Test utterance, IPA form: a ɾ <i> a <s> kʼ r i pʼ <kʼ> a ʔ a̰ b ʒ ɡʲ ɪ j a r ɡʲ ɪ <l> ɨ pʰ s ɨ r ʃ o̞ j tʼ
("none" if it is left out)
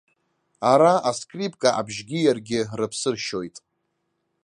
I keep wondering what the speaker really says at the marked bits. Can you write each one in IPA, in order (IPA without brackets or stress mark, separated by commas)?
a, s, kʼ, r